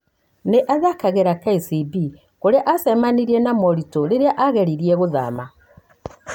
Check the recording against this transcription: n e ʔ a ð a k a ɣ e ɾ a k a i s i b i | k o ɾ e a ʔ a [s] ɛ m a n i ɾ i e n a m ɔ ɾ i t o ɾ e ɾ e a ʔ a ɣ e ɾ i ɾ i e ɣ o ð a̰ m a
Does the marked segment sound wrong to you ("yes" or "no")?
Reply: no